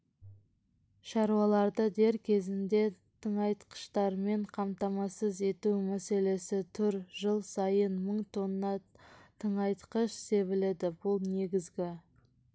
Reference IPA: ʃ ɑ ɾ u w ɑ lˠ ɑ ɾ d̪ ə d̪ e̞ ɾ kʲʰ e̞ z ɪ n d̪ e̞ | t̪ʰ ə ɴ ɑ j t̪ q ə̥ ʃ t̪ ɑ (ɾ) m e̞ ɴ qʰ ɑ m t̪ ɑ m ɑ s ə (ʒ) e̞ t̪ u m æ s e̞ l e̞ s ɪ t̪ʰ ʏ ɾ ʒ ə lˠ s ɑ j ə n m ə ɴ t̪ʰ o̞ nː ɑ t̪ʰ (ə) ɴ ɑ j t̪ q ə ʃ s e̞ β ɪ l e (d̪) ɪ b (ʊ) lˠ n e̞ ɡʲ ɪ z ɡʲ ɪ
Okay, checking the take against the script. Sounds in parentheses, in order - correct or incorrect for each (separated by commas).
correct, incorrect, correct, correct, correct